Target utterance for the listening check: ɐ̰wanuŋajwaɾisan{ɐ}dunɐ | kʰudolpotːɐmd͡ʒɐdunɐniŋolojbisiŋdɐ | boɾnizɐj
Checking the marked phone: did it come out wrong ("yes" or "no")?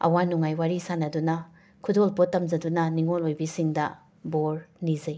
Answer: no